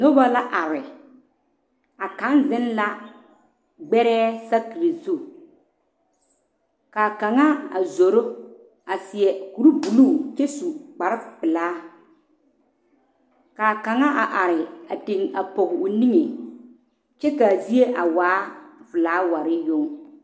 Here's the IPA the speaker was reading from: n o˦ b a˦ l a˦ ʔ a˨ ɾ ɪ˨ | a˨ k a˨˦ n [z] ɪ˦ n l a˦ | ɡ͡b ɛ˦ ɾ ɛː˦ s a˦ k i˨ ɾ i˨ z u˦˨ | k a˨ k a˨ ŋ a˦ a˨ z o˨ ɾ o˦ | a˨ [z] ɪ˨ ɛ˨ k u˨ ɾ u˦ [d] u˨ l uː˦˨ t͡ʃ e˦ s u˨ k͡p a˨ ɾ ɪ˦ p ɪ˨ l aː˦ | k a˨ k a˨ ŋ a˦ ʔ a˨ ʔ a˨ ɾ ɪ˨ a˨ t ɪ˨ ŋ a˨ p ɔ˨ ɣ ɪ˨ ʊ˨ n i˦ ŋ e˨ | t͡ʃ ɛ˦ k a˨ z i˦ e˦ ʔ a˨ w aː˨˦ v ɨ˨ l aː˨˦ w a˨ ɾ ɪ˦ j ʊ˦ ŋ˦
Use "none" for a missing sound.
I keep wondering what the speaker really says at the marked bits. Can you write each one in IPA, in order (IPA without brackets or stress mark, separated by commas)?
z, s, b